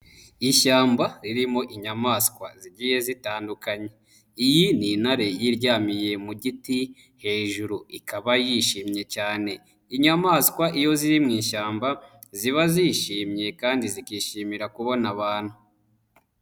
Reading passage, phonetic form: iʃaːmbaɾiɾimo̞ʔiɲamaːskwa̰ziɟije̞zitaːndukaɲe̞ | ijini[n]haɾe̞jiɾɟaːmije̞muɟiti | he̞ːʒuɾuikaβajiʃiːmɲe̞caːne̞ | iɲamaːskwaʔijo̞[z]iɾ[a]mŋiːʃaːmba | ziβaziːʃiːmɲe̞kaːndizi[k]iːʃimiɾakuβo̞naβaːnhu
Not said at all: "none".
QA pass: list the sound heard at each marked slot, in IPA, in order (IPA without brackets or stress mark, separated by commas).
n, z, i, k